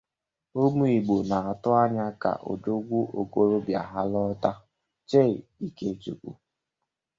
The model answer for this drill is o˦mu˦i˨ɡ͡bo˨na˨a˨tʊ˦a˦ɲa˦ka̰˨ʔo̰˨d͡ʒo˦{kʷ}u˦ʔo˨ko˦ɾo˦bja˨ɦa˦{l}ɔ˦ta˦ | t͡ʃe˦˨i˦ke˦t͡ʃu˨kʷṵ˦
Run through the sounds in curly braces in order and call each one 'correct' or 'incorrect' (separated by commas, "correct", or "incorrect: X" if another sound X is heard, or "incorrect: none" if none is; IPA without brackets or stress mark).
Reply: incorrect: ɡʷ, correct